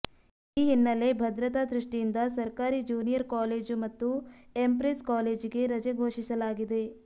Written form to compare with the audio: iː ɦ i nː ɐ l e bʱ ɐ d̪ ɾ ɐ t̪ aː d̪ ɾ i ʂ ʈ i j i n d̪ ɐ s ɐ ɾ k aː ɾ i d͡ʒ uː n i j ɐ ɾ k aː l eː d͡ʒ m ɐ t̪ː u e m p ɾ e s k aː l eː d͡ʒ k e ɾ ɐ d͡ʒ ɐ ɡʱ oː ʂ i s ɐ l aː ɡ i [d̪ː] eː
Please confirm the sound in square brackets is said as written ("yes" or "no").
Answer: no